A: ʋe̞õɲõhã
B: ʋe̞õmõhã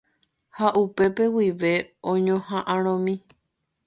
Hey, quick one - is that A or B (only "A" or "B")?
A